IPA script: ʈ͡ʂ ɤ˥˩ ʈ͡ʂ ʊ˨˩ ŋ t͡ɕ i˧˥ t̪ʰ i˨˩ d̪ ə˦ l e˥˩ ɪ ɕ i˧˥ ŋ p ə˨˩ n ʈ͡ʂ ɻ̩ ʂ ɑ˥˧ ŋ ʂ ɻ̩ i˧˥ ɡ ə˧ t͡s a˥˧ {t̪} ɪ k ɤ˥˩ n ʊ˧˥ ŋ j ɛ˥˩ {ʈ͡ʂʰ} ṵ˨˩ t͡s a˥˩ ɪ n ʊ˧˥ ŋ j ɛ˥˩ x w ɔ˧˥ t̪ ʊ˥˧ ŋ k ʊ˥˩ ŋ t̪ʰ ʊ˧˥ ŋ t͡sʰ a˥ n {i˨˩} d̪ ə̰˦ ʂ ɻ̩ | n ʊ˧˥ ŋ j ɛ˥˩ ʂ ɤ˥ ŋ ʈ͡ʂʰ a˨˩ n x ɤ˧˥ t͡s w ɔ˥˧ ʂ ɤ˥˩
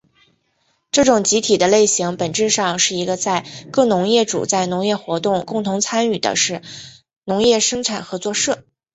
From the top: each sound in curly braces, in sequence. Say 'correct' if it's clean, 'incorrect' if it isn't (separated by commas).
incorrect, incorrect, incorrect